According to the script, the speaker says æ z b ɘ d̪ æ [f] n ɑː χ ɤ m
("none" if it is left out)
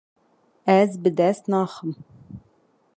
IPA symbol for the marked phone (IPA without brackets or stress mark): s